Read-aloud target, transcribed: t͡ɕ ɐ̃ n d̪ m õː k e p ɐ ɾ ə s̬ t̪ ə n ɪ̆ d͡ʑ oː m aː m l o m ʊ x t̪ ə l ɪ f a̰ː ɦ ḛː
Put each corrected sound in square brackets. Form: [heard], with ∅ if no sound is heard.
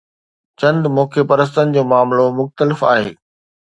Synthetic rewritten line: t͡ɕ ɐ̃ n d̪ m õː [kʰ] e p ɐ ɾ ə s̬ t̪ ə n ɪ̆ d͡ʑ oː m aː m l o m ʊ x t̪ ə l ɪ f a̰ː ɦ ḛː